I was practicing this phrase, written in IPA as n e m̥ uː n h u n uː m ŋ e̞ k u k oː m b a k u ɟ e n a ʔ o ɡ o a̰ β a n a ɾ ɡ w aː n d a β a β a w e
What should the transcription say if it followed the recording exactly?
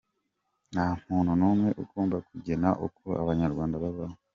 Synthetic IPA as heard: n a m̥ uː n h u n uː m ŋ e̞ ʔ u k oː m b a k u ɟ e n a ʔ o k o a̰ β a ɲ a ɾ ɡ w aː n d a β a β a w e